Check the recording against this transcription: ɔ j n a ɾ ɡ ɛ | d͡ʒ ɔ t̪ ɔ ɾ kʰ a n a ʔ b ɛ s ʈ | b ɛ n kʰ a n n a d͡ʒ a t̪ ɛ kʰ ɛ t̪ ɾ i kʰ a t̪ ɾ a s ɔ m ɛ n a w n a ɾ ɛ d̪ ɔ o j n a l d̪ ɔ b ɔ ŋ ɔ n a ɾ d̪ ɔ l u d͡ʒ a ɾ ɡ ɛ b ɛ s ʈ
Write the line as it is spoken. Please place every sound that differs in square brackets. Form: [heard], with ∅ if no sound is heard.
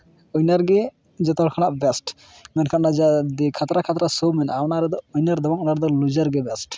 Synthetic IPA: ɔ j n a ɾ ɡ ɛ | d͡ʒ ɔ t̪ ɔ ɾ kʰ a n a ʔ b ɛ s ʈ | [m] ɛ n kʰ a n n a d͡ʒ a [d̪] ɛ kʰ [a] t̪ ɾ [a] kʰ a t̪ ɾ a s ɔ m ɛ n a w n a ɾ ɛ d̪ ɔ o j n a [ɾ] d̪ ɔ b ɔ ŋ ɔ n a ɾ d̪ ɔ l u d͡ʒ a ɾ ɡ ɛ b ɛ s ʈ